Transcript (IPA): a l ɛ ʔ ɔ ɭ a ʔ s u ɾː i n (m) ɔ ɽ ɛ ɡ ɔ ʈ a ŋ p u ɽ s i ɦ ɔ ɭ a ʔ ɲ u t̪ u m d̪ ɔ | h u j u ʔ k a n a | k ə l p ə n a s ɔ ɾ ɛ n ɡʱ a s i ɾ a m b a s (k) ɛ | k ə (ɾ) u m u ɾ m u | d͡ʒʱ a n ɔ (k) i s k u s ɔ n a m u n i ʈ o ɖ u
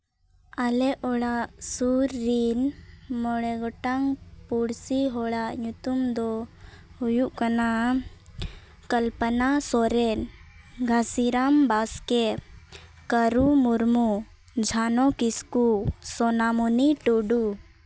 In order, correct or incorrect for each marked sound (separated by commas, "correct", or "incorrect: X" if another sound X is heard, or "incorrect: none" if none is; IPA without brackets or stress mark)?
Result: correct, correct, correct, correct